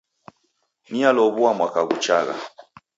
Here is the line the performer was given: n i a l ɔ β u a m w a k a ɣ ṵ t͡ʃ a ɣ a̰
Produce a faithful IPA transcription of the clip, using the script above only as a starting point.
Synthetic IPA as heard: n i a l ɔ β u a m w a k a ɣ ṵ t͡ʃ a ɣ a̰